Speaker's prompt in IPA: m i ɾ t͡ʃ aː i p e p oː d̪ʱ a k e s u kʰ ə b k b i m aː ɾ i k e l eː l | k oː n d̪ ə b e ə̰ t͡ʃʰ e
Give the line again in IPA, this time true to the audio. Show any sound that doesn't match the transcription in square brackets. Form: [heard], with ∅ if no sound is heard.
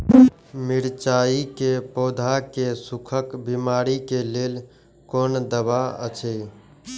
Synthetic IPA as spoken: m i ɾ t͡ʃ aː i [k] e p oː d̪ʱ a k e s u kʰ ə [∅] k b i m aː ɾ i k e l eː l | k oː n d̪ ə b [a] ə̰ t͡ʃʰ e